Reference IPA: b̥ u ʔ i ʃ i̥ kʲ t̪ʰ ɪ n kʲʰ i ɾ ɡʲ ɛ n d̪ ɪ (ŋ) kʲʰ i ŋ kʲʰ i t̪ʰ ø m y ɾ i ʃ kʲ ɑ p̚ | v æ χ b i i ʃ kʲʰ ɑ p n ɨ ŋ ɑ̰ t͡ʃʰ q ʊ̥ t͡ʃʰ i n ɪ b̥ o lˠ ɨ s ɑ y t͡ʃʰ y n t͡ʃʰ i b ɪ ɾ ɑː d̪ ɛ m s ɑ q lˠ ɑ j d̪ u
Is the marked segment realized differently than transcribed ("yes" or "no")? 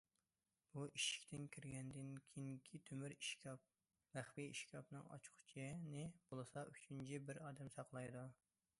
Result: yes